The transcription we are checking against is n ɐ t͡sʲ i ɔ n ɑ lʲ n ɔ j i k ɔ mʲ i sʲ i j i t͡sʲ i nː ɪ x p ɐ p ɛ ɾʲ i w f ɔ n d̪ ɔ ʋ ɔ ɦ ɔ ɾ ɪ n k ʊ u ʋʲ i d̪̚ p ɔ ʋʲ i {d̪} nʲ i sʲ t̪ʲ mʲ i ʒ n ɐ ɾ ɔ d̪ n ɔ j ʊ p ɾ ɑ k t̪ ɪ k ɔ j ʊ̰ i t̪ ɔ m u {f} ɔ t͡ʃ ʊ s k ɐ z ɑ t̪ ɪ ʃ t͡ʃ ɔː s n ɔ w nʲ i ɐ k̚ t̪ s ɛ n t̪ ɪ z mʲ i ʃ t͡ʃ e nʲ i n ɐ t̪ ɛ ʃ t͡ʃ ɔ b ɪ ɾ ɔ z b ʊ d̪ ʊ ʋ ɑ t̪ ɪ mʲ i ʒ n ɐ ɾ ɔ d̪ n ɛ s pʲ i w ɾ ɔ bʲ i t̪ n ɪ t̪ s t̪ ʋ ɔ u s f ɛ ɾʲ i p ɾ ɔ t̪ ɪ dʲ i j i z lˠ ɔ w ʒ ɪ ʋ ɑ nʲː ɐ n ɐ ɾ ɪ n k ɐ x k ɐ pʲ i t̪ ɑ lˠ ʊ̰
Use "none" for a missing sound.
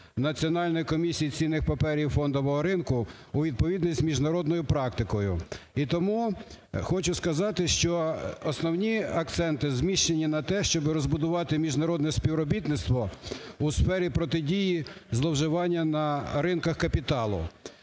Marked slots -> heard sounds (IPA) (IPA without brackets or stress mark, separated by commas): d̪, x